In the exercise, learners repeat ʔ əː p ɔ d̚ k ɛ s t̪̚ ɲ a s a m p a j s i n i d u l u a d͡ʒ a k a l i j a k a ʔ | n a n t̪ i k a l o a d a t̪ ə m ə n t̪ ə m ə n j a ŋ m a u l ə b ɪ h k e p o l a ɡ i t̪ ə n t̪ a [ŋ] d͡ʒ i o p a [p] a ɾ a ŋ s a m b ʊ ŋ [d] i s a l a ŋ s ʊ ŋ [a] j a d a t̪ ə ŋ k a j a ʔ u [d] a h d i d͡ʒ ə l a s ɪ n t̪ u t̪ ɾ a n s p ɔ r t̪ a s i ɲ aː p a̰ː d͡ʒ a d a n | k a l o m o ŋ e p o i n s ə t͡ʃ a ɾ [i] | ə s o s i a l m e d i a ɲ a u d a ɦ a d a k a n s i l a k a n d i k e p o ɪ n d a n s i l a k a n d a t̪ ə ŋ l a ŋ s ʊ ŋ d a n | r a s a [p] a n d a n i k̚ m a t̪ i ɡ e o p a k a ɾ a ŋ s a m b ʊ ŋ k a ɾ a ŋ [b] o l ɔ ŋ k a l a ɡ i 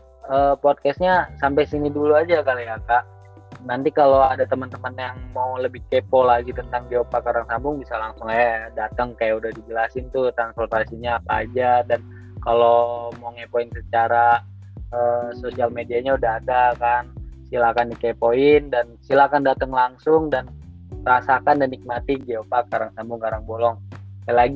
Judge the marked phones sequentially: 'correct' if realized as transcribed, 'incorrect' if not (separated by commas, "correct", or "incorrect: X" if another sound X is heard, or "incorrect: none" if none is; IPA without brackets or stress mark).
correct, incorrect: k, incorrect: b, correct, correct, incorrect: a, incorrect: k, correct